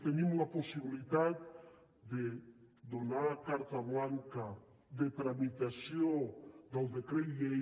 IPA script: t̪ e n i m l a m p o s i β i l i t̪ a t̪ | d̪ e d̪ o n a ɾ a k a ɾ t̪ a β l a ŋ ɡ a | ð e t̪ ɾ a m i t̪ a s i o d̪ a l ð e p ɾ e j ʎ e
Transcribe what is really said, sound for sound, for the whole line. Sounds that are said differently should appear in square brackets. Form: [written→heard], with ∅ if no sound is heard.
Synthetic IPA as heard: t̪ e n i m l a [m→∅] p o s i β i l i t̪ a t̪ | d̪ e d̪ o n a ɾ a k a ɾ t̪ a β l a ŋ [ɡ→k] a | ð e t̪ ɾ a m i t̪ a s [i→j] o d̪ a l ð e [p→k] ɾ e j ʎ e